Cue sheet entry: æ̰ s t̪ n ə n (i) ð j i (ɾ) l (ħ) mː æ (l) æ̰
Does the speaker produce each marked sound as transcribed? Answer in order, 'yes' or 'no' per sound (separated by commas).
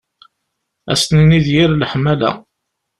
yes, yes, yes, yes